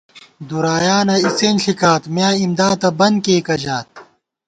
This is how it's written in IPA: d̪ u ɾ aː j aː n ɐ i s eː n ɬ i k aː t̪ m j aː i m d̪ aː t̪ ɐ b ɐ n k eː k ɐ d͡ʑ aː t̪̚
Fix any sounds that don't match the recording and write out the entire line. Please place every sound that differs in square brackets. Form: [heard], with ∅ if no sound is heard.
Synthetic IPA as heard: d̪ u ɾ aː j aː n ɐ i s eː n ɬ i k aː t̪ m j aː i m d̪ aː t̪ ɐ b ɐ n k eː k ɐ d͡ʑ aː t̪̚